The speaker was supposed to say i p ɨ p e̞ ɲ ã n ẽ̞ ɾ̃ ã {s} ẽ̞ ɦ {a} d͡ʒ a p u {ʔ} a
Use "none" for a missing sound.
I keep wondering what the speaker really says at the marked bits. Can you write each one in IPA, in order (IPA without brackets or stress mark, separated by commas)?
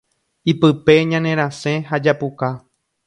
s, a, k